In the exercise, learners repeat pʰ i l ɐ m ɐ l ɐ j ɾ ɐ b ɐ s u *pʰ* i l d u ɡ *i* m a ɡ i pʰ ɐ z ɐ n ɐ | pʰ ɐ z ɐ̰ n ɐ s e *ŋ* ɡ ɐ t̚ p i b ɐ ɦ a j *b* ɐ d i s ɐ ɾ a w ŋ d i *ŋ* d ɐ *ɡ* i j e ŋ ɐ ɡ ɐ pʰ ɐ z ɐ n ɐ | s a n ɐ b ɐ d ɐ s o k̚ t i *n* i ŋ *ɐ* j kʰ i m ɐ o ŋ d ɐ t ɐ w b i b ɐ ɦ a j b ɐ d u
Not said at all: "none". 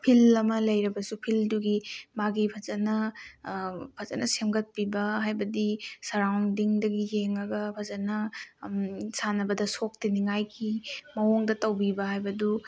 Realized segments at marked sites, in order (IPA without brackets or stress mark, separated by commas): pʰ, i, m, b, ŋ, ɡ, n, a